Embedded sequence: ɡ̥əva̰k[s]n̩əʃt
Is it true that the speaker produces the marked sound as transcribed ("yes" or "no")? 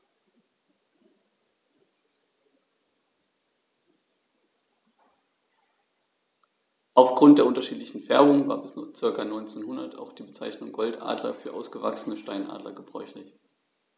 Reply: yes